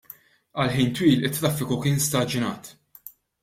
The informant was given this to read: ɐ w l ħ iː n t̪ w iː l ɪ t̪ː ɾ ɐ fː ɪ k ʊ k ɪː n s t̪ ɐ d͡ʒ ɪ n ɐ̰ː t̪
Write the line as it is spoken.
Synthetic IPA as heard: ɐ l ħ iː n t̪ w iː l ɪ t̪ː ɾ ɐ fː ɪ k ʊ k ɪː n s t̪ ɐ d͡ʒ ɪ n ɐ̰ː t̪